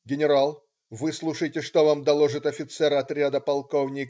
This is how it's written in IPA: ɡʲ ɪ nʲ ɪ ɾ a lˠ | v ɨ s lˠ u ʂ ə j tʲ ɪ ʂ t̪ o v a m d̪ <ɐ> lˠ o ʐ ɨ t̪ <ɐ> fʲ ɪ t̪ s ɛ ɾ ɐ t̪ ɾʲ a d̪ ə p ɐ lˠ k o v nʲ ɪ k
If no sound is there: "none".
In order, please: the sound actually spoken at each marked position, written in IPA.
ɐ, ɐ

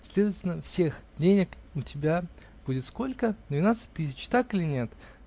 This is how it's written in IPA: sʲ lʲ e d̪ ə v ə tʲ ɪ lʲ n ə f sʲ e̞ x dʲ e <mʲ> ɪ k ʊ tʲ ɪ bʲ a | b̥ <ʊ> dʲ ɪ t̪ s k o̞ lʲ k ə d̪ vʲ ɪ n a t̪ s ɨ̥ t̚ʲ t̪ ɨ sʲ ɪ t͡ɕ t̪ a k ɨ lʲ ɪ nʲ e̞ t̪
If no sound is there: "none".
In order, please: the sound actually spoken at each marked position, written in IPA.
nʲ, u

